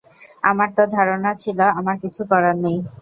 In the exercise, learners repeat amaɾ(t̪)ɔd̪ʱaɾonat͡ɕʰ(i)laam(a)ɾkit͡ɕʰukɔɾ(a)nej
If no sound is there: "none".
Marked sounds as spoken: t̪, i, a, a

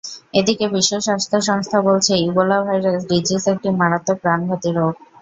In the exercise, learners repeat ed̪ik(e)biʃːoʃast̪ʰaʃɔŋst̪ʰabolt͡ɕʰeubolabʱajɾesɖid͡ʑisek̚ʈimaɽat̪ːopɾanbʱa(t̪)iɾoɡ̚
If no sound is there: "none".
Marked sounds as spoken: e, t̪

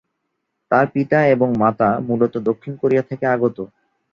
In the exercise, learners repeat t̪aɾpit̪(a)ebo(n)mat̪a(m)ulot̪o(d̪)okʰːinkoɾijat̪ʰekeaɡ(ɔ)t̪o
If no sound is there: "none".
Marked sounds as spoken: a, ŋ, m, d̪, o

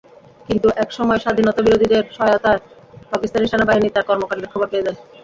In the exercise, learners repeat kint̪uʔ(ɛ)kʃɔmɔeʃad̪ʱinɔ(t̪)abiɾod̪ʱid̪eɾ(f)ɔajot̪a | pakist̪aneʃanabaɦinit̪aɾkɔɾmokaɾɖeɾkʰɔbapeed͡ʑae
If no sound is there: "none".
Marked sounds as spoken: ɛ, t̪, ʃ

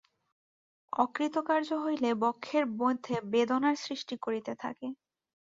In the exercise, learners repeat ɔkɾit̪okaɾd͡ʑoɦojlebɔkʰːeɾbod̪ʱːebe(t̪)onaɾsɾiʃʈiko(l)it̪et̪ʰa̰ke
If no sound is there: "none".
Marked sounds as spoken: d̪, ɾ

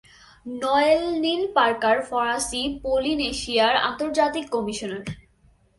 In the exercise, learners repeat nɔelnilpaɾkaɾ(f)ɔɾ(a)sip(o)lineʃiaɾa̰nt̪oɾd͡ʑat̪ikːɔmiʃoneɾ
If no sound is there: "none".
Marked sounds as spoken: f, a, o

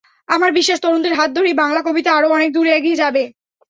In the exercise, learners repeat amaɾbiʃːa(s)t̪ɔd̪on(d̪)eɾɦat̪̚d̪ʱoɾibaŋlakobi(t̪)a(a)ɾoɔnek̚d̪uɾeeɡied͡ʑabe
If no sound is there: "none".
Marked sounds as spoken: ʃ, t̪, t̪, a

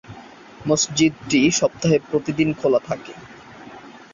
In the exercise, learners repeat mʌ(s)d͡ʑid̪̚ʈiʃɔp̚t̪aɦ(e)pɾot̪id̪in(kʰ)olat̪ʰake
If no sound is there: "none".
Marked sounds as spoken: s, e, kʰ

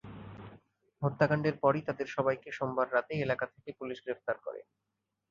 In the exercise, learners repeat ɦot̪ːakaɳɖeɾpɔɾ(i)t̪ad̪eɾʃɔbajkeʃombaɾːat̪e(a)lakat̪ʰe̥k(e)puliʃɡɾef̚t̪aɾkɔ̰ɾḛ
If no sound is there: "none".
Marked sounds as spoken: i, e, e

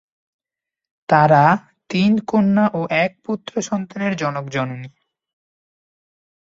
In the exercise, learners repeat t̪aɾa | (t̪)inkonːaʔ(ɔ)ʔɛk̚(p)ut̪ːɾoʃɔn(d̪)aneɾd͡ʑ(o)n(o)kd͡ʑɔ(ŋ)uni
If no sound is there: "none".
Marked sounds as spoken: t̪, o, p, t̪, ɔ, o, n

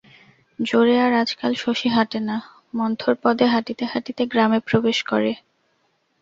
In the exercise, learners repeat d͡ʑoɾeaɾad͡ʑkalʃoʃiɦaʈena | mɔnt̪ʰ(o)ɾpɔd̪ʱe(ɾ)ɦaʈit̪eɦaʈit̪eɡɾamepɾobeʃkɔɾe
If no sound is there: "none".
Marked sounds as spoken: o, none

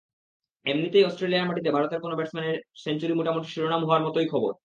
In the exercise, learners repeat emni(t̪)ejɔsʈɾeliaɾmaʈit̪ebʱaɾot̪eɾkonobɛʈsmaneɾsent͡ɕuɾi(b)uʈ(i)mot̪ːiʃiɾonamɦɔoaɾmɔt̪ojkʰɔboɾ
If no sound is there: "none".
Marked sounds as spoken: t̪, m, a

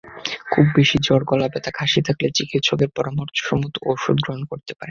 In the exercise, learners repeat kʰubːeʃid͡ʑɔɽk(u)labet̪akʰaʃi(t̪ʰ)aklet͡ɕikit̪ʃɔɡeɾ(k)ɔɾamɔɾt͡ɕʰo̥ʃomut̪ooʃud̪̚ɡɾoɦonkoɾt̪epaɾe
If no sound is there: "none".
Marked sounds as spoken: ɔ, t̪ʰ, p

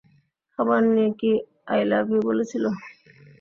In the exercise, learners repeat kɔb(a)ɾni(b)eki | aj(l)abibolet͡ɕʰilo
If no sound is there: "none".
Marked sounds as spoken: a, none, l

